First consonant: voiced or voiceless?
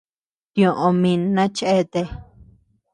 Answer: voiceless